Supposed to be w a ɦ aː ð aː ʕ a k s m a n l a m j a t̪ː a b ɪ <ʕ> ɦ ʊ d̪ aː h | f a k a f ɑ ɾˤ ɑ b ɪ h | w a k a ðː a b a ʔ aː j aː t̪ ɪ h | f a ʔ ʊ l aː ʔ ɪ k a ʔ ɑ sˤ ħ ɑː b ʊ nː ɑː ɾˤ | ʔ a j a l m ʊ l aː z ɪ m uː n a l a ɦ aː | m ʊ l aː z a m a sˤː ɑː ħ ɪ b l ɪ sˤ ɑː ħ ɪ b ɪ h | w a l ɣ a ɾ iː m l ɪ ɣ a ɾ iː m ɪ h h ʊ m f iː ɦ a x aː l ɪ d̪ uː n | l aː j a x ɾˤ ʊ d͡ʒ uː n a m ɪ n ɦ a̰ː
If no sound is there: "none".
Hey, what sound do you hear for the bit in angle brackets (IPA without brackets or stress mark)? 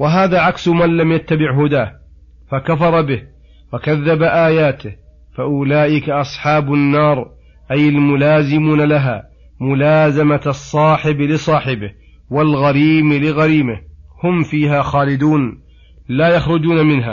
ʕ